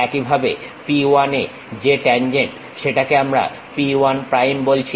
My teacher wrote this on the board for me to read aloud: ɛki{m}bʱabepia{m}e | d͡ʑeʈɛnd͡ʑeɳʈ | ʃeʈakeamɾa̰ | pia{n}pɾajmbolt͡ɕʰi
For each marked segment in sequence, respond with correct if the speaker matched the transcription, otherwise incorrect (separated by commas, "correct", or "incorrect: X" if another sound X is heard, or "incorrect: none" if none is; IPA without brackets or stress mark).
incorrect: none, incorrect: n, correct